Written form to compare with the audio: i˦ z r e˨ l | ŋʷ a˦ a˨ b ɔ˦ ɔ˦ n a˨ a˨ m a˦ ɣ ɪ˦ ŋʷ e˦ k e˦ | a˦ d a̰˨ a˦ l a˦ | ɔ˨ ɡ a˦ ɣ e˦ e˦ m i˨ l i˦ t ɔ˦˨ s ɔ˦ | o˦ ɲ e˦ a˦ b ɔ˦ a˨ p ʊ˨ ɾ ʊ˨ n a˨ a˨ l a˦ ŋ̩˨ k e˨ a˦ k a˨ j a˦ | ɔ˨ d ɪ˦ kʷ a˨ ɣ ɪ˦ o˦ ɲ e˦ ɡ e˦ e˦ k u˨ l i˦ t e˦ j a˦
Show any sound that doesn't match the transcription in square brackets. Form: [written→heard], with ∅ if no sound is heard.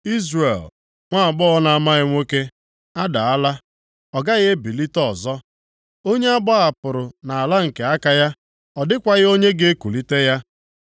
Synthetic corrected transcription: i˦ z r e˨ l | ŋʷ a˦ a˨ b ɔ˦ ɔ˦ n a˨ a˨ m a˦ ɣ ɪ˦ ŋʷ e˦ k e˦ | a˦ d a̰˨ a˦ l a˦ | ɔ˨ ɡ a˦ ɣ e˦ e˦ [m→b] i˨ l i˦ t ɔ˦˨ [s→z] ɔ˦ | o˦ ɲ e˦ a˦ b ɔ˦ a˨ p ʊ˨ ɾ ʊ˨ n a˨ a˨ l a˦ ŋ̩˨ k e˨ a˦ k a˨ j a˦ | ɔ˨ d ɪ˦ kʷ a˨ ɣ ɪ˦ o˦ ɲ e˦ ɡ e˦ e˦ k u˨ l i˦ t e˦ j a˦

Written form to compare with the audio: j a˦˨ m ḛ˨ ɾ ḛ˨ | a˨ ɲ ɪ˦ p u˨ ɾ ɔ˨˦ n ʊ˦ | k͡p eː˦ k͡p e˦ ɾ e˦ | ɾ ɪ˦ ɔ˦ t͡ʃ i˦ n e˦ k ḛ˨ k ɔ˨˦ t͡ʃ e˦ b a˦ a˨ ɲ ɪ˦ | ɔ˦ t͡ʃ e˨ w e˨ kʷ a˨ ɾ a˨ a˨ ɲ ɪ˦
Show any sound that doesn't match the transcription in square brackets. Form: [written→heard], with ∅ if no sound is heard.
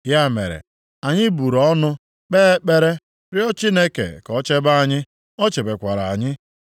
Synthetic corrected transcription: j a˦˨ m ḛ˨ ɾ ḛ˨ | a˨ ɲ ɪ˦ [p→b] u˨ ɾ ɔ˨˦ n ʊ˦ | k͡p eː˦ k͡p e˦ ɾ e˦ | ɾ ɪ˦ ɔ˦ t͡ʃ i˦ n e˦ k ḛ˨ k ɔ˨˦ t͡ʃ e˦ b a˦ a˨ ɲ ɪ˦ | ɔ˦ t͡ʃ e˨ [w→b] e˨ kʷ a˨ ɾ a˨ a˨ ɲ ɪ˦

